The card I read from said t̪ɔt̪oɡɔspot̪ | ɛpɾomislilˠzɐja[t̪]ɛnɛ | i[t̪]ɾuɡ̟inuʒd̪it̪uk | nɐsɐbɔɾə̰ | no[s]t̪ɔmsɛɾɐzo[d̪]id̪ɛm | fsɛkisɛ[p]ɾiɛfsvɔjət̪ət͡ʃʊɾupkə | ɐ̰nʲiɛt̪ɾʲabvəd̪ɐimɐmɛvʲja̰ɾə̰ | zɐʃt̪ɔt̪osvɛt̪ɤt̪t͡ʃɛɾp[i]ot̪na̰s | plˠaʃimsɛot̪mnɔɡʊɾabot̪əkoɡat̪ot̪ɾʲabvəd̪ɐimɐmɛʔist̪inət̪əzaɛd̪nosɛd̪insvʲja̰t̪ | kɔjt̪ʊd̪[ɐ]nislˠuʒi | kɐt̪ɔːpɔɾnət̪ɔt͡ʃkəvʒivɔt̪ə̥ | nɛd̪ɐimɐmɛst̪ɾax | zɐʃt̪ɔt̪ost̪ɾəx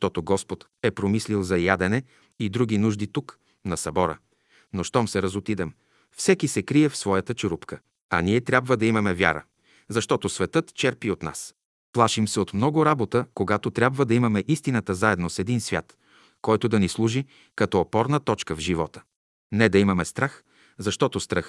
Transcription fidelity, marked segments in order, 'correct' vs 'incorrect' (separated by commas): incorrect, incorrect, incorrect, incorrect, incorrect, correct, correct